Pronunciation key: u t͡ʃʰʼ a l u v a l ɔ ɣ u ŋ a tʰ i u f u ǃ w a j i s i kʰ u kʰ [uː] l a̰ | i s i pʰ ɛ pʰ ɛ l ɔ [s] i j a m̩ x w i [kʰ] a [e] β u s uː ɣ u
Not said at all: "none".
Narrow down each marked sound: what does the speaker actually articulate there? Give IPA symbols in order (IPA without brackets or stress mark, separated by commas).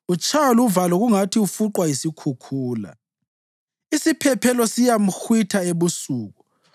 uː, s, tʰ, e